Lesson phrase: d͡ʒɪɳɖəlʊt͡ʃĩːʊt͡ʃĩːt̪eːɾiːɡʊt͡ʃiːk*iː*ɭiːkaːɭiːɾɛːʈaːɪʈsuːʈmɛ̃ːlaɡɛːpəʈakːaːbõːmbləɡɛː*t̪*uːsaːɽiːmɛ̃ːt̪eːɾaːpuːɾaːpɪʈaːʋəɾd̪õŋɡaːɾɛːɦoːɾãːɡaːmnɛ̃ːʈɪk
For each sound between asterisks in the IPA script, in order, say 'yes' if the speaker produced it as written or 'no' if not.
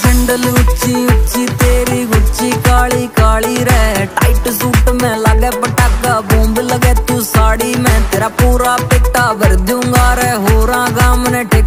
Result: no, yes

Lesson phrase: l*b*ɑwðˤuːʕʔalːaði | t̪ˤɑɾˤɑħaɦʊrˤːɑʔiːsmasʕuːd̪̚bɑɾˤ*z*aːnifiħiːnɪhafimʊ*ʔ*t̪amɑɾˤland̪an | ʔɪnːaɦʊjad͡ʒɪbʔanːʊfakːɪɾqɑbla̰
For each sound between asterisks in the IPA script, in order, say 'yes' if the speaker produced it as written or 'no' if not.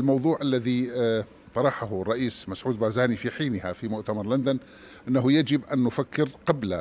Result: no, yes, yes

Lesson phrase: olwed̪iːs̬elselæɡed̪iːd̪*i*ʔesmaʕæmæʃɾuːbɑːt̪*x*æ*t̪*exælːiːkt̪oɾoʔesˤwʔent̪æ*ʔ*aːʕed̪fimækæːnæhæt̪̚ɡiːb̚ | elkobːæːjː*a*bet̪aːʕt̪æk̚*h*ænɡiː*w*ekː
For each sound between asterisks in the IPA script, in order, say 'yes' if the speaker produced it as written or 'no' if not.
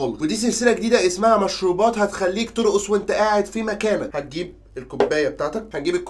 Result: no, no, yes, yes, no, yes, no

